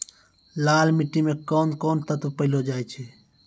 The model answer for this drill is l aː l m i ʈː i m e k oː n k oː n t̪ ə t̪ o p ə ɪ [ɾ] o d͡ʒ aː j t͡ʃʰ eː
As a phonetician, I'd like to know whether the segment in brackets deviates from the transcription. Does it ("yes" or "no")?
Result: yes